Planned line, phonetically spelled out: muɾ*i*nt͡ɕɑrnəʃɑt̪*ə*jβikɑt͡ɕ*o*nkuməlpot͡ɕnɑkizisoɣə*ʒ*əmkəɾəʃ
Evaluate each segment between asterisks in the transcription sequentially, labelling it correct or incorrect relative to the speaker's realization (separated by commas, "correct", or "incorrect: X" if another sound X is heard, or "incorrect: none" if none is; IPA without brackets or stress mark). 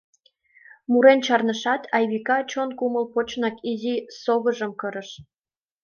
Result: incorrect: e, incorrect: ɑ, correct, correct